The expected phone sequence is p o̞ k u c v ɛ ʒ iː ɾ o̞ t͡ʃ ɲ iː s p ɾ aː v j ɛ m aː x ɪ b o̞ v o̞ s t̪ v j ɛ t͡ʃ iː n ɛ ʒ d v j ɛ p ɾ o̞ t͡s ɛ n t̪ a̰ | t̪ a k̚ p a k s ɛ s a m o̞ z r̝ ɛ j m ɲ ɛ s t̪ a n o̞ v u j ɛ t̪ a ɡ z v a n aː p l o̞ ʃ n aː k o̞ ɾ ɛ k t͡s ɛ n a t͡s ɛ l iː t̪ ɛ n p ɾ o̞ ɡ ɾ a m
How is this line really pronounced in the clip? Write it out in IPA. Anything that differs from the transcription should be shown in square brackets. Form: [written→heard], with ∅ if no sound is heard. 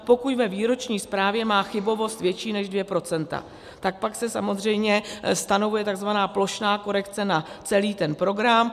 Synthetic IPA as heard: p o̞ k u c v ɛ [ʒ→v] iː ɾ o̞ t͡ʃ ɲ iː s p ɾ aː v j ɛ m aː x ɪ b o̞ v o̞ s t̪ v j ɛ t͡ʃ iː n ɛ ʒ d v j ɛ p ɾ o̞ t͡s ɛ n t̪ a̰ | t̪ a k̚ p a k s ɛ s a m o̞ z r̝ ɛ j m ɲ ɛ s t̪ a n o̞ v u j ɛ t̪ a ɡ z v a n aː p l o̞ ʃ n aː k o̞ ɾ ɛ k t͡s ɛ n a t͡s ɛ l iː t̪ ɛ n p ɾ o̞ ɡ ɾ a m